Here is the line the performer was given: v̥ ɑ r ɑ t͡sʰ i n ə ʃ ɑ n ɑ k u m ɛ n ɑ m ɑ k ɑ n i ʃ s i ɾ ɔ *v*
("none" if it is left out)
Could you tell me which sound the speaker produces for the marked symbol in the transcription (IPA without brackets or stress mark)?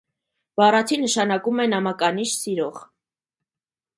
ʁ